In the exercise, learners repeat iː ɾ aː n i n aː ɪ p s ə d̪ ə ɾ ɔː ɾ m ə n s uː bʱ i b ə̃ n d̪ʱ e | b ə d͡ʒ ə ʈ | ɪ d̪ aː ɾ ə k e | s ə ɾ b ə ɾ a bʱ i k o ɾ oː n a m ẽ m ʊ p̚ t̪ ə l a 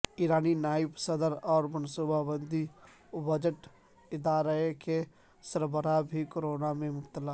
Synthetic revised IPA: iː ɾ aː n i n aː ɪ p s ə d̪ ə ɾ ɔː ɾ m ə n s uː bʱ a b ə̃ n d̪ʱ i | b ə d͡ʒ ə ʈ | ɪ d̪ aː ɾ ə k e | s ə ɾ b ə ɾ a bʱ i k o ɾ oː n a m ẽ m ʊ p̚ t̪ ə l a